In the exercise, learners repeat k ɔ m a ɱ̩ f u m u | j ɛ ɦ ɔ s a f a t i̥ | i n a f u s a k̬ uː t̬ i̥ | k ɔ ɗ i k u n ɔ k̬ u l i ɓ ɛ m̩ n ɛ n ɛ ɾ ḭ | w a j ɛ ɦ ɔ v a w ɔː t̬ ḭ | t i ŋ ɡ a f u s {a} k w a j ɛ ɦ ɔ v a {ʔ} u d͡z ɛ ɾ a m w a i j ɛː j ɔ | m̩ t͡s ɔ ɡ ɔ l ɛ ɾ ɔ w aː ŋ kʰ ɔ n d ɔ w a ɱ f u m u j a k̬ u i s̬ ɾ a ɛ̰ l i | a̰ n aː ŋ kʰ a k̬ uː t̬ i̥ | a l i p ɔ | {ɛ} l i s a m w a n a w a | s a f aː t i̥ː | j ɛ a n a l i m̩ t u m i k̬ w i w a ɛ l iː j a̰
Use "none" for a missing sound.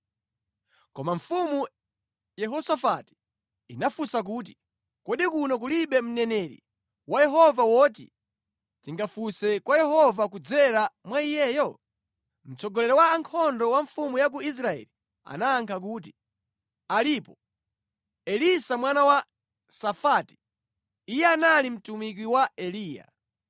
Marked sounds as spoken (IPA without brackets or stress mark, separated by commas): ɛ, k, ɛ